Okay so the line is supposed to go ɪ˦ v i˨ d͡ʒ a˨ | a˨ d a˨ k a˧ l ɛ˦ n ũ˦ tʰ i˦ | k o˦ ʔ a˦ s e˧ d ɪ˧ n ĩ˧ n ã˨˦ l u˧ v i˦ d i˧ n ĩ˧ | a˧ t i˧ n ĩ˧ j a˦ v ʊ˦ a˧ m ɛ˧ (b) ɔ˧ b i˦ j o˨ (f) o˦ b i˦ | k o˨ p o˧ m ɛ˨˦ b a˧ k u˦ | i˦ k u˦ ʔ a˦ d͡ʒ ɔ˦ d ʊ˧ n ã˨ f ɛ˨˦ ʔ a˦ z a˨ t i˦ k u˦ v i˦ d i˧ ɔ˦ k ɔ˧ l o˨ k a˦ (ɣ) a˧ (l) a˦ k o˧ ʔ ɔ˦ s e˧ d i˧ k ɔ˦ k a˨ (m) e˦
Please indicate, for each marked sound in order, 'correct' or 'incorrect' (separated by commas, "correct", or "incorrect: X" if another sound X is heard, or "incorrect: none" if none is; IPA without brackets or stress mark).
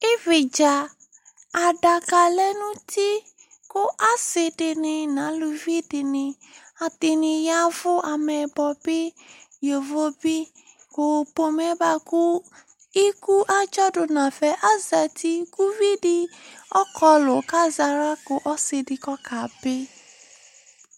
correct, incorrect: v, incorrect: z, incorrect: ɾ, incorrect: b